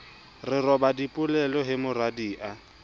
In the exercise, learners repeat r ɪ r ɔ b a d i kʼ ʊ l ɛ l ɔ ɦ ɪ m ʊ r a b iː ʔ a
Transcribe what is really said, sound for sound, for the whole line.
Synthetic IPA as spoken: r ɪ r ɔ b a d i pʼ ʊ l ɛ l ɔ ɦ ɪ m ʊ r a d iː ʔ a